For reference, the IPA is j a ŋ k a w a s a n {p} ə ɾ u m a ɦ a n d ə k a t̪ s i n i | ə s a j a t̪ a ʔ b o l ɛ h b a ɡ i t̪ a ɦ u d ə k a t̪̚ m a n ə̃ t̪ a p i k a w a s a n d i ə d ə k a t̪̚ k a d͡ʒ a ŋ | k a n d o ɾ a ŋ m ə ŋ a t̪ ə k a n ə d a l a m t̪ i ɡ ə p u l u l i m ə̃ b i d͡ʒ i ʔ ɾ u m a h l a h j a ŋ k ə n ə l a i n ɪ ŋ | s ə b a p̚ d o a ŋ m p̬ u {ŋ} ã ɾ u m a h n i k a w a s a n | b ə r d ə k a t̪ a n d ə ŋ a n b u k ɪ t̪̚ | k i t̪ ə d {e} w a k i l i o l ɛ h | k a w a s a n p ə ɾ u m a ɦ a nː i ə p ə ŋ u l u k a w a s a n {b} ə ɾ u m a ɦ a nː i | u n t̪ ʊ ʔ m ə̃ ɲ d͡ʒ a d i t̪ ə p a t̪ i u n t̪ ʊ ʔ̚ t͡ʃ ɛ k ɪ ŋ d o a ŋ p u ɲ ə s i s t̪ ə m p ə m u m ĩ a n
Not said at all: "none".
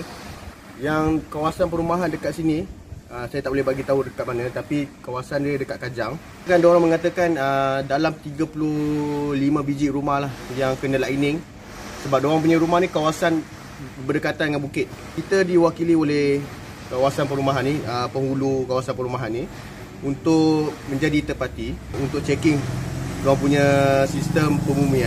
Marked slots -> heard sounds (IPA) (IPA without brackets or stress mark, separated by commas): p, ɲ, i, p